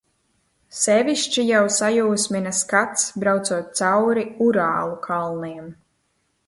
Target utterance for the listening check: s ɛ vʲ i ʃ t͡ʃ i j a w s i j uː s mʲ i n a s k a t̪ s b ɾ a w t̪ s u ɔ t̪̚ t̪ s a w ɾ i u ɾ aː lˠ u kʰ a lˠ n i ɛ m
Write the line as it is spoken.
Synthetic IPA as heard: s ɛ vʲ i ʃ t͡ʃ i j a w s a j uː s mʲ i n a s k a t̪ s b ɾ a w t̪ s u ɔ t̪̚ t̪ s a w ɾ i u ɾ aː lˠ u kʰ a lˠ n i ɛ m